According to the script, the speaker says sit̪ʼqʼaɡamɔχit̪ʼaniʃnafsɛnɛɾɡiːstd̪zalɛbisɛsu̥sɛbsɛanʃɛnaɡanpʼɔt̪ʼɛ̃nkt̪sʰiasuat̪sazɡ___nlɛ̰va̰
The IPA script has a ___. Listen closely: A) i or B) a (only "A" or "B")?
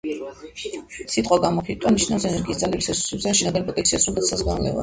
B